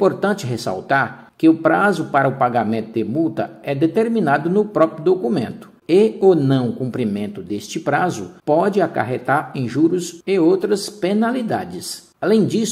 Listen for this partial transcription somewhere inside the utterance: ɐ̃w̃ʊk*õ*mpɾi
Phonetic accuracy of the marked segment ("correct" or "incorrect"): incorrect